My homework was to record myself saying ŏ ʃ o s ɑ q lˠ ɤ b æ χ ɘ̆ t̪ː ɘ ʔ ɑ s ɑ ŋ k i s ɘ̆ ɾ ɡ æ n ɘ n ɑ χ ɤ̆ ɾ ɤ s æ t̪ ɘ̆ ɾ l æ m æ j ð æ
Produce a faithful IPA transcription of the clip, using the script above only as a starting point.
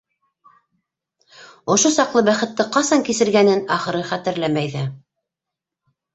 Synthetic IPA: ŏ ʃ o s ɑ q lˠ ɤ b æ χ ɘ̆ t̪ː ɘ q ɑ s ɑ ŋ k i s ɘ̆ ɾ ɡ æ n ɘ n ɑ χ ɤ̆ ɾ ɤ χ æ t̪ ɘ̆ ɾ l æ m æ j ð æ